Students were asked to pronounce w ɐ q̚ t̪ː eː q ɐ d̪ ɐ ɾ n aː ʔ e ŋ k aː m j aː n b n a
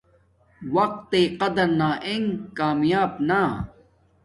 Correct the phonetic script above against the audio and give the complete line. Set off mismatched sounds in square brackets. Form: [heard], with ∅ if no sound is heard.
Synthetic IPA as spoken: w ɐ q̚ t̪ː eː q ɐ d̪ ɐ ɾ n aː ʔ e ŋ k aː m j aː [∅] b n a

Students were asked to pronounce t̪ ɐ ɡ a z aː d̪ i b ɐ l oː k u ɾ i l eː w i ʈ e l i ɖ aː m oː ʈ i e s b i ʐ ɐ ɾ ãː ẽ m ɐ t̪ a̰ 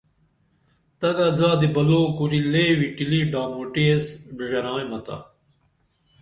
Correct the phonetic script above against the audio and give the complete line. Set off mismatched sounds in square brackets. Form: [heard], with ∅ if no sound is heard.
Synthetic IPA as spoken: t̪ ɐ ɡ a z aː d̪ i b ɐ l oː k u ɾ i l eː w i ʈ [i] l i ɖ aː m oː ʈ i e s b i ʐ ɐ ɾ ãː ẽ m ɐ t̪ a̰

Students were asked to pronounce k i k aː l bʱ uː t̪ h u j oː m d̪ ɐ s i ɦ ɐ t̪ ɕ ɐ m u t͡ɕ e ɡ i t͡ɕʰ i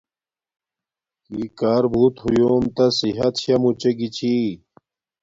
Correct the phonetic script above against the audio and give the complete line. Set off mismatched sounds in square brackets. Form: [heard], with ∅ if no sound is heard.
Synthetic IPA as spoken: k i k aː [ɾ] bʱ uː t̪ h u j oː m [t̪] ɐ s i ɦ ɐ t̪ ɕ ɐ m u t͡ɕ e ɡ i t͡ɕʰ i

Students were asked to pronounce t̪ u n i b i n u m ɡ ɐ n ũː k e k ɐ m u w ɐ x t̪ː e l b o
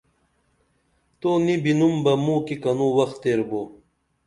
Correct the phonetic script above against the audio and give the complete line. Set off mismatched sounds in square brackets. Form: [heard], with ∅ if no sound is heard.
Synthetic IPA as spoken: t̪ [o] n i b i n u m [b] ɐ [m] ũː k [i] k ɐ [n] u w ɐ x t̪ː e [ɾ] b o

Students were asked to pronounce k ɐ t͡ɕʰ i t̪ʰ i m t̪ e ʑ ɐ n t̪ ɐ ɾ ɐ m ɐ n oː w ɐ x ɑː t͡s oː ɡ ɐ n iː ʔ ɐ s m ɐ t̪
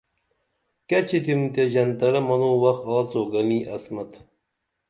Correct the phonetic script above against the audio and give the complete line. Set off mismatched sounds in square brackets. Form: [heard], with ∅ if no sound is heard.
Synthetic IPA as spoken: k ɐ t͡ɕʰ i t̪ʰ i m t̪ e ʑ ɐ n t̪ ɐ ɾ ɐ m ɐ n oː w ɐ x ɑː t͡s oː ɡ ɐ n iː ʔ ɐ s m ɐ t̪

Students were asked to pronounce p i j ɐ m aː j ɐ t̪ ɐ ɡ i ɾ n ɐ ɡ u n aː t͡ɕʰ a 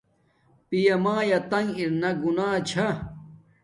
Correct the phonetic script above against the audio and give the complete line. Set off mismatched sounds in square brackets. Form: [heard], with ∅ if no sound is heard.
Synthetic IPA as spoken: p i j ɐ m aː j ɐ t̪ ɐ [ŋ] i ɾ n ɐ ɡ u n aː t͡ɕʰ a

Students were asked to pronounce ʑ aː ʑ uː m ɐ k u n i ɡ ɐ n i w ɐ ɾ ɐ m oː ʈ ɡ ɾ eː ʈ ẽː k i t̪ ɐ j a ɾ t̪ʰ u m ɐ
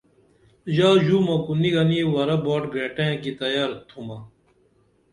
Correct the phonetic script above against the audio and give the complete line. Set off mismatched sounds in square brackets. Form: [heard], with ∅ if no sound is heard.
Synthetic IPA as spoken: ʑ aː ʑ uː m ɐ k u n i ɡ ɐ n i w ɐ ɾ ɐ [b] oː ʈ ɡ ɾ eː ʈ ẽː k i t̪ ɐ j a ɾ t̪ʰ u m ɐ

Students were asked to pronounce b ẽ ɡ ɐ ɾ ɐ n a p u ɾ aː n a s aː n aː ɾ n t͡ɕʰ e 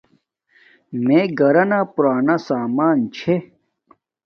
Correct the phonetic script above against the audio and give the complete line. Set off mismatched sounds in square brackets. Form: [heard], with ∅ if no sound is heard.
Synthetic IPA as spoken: [m] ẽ ɡ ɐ ɾ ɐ n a p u ɾ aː n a s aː [m] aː [∅] n t͡ɕʰ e

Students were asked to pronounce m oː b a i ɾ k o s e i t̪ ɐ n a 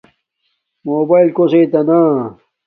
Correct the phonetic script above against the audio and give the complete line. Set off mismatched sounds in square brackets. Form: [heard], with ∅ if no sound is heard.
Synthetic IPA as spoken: m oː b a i [l] k o s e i t̪ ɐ n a

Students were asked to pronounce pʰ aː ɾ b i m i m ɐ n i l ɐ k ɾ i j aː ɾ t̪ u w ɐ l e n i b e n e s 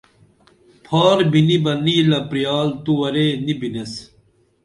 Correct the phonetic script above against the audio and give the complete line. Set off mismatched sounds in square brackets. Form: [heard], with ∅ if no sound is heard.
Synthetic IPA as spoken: pʰ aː ɾ b i [n] i [b] ɐ n i l ɐ [p] ɾ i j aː [l] t̪ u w ɐ [ɾ] e n i b [i] n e s

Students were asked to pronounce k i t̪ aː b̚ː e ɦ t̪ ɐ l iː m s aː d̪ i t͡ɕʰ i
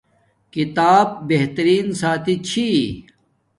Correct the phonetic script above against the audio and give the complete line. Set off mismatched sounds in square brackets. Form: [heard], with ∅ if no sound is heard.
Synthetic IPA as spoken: k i t̪ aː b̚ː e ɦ t̪ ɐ [ɾ] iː [n] s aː [t̪] i t͡ɕʰ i

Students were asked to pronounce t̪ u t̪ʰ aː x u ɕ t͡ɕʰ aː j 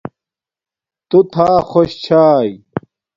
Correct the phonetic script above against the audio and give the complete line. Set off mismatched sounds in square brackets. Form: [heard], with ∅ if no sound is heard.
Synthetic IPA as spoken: t̪ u t̪ʰ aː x [o] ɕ t͡ɕʰ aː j

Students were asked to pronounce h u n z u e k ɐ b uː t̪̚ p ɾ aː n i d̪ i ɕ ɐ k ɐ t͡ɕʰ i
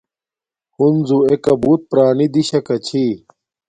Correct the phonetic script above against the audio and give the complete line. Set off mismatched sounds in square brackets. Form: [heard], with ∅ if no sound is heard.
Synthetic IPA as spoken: h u n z u e k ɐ b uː t̪̚ p ɾ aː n i d̪ i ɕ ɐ k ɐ t͡ɕʰ i

